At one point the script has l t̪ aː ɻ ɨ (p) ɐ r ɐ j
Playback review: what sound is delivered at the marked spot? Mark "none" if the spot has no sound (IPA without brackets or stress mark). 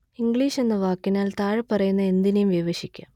p